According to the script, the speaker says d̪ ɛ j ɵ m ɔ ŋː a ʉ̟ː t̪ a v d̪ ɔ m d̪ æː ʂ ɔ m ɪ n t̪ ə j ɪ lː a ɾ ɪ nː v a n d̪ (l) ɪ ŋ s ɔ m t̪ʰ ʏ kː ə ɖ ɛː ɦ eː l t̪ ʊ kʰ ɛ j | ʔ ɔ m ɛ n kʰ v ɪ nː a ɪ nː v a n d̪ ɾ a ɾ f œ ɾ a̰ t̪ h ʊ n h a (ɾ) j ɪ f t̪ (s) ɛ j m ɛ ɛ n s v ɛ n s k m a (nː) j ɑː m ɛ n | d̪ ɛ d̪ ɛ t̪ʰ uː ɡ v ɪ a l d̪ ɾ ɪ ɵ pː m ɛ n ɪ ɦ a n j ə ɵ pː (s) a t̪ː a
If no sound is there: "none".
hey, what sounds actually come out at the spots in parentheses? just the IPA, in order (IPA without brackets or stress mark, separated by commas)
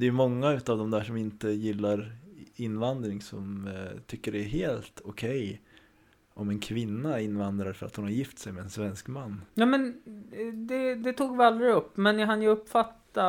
ɾ, ɾ, s, nː, f